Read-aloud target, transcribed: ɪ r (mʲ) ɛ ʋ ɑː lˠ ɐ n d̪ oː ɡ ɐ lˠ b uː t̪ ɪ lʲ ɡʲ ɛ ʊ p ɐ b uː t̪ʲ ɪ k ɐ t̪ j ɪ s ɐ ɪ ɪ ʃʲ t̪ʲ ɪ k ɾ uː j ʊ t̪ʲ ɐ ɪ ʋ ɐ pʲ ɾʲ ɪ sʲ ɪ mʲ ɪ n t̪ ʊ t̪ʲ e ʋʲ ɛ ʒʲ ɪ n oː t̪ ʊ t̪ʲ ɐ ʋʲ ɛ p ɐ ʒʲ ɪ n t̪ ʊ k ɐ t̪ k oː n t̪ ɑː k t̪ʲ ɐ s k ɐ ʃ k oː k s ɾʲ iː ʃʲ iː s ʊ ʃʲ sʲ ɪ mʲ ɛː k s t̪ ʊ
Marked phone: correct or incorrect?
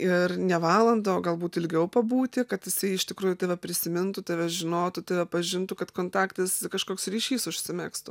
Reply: incorrect